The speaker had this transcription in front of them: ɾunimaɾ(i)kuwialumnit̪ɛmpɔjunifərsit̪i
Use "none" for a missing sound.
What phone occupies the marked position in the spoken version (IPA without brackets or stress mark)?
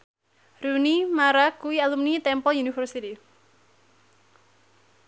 a